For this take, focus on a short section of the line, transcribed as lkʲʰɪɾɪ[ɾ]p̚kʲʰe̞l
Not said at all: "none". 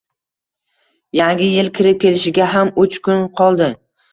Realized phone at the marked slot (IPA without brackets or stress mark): none